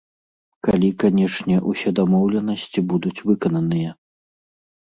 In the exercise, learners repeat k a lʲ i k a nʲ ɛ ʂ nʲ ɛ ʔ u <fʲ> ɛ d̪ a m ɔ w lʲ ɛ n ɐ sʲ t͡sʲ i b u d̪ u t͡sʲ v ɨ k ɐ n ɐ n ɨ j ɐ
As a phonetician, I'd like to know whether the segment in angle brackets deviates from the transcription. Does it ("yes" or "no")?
yes